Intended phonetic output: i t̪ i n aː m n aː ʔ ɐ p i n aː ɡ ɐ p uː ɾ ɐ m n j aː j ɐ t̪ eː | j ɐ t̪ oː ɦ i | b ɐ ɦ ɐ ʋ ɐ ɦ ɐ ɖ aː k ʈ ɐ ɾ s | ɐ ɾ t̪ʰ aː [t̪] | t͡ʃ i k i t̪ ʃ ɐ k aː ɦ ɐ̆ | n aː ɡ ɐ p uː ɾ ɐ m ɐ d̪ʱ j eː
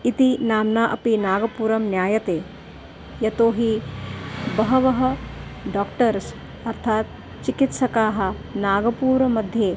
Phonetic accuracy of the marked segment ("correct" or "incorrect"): correct